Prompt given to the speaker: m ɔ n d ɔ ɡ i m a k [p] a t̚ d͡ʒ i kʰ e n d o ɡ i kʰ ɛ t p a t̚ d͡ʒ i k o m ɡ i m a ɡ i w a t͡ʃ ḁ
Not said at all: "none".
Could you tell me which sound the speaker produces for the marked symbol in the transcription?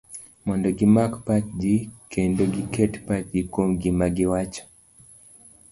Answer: p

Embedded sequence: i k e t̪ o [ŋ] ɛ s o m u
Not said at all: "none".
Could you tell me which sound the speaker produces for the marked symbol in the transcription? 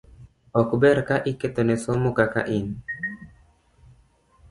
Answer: n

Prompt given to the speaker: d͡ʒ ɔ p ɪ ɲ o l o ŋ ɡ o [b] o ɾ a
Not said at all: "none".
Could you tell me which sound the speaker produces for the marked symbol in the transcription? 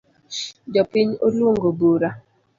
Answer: b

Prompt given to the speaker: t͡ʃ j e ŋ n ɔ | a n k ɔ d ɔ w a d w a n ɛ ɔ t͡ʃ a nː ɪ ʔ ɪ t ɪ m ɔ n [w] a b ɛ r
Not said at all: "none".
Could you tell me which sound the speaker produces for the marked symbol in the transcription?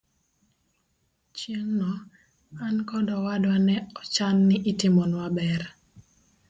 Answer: w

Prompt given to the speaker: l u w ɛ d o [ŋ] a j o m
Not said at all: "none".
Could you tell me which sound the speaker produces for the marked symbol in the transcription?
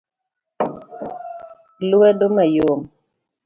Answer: m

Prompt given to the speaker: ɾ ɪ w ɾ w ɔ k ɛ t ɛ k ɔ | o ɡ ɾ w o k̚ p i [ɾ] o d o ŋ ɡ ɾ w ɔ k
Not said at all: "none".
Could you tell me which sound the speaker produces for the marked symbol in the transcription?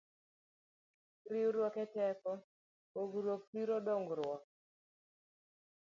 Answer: ɾ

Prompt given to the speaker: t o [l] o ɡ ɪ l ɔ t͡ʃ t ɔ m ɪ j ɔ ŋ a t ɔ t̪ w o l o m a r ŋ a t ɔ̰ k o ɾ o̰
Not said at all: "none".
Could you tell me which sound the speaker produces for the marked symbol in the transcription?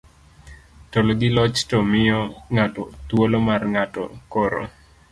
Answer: l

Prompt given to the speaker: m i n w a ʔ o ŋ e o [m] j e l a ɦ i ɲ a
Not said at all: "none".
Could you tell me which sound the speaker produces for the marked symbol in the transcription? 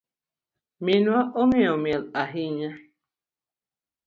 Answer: m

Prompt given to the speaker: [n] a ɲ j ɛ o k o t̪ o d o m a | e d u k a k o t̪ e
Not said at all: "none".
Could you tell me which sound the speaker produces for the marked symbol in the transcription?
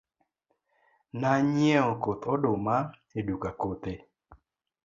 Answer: n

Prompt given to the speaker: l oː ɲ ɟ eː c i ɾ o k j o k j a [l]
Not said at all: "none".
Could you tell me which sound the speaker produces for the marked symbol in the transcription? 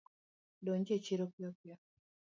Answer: none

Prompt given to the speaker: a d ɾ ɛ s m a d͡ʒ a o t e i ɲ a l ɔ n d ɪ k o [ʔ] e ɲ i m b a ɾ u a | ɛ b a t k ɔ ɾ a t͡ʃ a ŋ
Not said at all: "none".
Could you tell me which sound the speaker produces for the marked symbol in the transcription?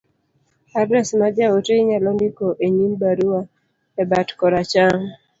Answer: ʔ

